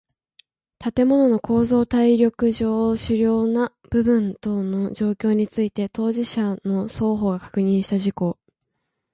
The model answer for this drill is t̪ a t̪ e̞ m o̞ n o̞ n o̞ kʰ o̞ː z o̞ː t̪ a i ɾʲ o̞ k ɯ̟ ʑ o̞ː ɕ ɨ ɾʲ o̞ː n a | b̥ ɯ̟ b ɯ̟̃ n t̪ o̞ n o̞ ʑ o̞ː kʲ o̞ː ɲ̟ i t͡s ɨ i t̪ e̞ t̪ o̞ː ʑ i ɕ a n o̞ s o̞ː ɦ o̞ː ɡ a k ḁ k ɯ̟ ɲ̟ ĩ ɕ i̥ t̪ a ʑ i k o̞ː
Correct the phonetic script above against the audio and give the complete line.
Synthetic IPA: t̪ a t̪ e̞ m o̞ n o̞ n o̞ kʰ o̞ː z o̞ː t̪ a i ɾʲ o̞ k ɯ̟ ʑ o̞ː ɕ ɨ ɾʲ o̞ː n a | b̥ ɯ̟ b ɯ̟̃ n t̪ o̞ n o̞ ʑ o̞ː kʲ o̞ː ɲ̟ i t͡s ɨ i t̪ e̞ t̪ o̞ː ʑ i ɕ a n o̞ s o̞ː ɦ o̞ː ɡ a k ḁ k ɯ̟ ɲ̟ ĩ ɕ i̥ t̪ a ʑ i k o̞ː